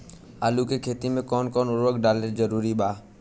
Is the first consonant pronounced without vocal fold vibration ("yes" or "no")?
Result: no